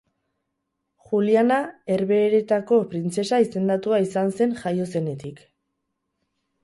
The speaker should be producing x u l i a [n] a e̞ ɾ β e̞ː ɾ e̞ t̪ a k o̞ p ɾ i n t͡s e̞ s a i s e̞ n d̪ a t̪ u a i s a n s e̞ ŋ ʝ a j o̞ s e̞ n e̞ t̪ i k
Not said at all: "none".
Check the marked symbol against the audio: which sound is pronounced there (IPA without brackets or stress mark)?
n